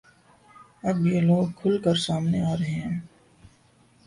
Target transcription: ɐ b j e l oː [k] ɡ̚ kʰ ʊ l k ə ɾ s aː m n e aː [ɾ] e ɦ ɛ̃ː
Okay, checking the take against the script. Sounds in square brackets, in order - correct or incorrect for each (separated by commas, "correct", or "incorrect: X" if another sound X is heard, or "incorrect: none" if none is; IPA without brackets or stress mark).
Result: incorrect: none, correct